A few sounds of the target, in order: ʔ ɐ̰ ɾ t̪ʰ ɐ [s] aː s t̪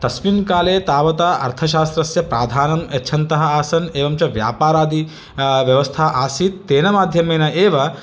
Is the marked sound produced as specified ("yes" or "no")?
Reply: no